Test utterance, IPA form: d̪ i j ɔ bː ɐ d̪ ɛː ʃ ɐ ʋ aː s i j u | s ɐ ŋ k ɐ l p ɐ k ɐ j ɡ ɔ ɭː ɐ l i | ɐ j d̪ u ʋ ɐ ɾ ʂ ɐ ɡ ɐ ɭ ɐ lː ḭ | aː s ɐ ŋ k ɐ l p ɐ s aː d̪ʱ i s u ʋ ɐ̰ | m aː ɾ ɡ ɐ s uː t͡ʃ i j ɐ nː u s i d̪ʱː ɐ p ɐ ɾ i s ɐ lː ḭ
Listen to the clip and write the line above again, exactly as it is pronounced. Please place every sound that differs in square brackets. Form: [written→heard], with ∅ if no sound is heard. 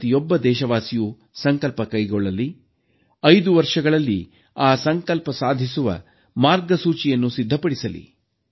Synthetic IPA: [d̪→t̪] i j ɔ bː ɐ d̪ ɛː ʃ ɐ ʋ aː s i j u | s ɐ ŋ k ɐ l p ɐ k ɐ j ɡ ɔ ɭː ɐ l i | ɐ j d̪ u ʋ ɐ ɾ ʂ ɐ ɡ ɐ ɭ ɐ lː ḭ | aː s ɐ ŋ k ɐ l p ɐ s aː d̪ʱ i s u ʋ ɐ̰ | m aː ɾ ɡ ɐ s uː t͡ʃ i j ɐ nː u s i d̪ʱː ɐ p ɐ [ɾ→ɽ] i s ɐ [lː→l] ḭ